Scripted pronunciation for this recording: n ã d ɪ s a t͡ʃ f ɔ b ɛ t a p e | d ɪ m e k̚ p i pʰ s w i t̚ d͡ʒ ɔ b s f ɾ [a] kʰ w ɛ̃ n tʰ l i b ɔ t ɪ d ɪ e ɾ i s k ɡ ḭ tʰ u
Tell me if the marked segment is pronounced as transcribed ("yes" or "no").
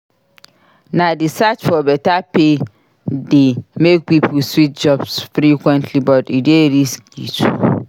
no